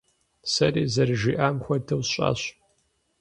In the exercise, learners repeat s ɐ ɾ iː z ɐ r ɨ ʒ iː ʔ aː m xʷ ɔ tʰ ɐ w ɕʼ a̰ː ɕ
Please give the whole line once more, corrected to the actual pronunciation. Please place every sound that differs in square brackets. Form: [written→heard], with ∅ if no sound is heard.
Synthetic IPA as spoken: s ɐ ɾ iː z ɐ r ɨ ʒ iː ʔ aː m xʷ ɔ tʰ ɐ w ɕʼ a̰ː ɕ